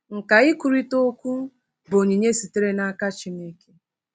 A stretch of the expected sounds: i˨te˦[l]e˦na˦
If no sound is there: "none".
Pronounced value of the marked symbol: ɾ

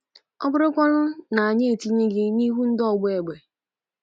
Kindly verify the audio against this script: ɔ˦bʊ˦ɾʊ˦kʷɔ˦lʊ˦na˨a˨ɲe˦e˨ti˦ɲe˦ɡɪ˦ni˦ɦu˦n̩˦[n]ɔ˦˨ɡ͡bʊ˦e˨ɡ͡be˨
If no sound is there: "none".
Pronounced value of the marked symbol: d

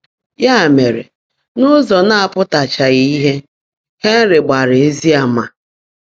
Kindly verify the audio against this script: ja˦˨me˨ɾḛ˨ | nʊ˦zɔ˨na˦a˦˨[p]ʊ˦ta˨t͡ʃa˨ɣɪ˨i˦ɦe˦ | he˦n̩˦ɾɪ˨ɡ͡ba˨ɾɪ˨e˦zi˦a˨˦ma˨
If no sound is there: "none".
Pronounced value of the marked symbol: p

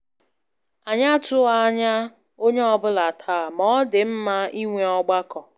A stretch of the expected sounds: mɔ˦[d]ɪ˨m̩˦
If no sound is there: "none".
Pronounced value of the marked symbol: d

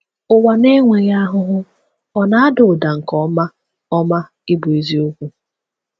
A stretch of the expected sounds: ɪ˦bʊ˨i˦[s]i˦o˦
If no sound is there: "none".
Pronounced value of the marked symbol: z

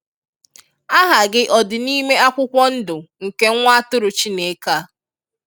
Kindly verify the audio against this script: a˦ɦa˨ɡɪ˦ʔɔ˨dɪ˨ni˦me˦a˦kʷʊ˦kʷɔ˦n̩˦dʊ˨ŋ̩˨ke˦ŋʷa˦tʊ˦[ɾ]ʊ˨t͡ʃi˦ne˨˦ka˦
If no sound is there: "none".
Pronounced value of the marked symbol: ɾ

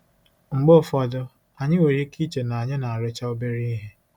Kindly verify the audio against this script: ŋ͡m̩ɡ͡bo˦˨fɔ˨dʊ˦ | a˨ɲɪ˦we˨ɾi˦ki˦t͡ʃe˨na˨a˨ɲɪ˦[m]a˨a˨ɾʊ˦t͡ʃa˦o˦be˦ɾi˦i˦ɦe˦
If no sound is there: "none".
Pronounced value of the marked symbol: n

